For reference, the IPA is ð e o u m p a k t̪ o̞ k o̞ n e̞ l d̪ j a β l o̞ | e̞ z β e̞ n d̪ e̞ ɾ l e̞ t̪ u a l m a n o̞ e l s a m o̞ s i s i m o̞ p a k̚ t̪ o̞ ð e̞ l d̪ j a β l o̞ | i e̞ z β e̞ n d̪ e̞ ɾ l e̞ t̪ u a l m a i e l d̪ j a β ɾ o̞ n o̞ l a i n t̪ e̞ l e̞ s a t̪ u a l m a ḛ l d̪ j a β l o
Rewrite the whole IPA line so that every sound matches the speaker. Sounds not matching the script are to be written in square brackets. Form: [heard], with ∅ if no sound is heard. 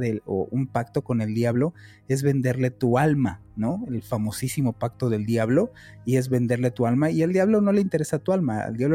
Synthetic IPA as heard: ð e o u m p a k t̪ o̞ k o̞ n e̞ l d̪ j a β l o̞ | e̞ z β e̞ n d̪ e̞ ɾ l e̞ t̪ u a l m a n o̞ e l [f] a m o̞ s i s i m o̞ p a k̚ t̪ o̞ ð e̞ l d̪ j a β l o̞ | i e̞ z β e̞ n d̪ e̞ ɾ l e̞ t̪ u a l m a i e l d̪ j a β [l] o̞ n o̞ l [e] i n t̪ e̞ [ɾ] e̞ s a t̪ u a l m a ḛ l d̪ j a β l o